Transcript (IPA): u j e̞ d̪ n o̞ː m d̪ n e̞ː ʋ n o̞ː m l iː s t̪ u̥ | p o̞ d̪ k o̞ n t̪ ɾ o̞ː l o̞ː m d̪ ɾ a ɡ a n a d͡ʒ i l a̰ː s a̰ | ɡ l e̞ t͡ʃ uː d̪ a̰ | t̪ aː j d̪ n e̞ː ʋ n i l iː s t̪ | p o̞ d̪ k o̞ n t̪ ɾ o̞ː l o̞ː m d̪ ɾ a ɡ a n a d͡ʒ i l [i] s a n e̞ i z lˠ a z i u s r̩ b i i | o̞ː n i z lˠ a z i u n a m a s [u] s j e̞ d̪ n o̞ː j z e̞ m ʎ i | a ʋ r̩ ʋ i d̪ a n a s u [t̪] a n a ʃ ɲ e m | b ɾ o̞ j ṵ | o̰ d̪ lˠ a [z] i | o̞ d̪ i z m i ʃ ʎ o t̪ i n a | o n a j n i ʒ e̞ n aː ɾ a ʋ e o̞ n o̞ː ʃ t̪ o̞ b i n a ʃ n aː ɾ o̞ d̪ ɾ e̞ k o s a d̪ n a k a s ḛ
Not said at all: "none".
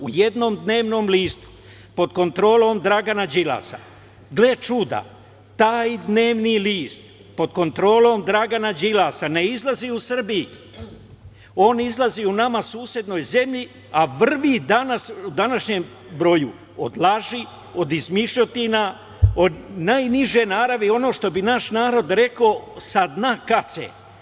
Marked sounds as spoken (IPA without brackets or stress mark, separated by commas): a, uː, d̪, ʒ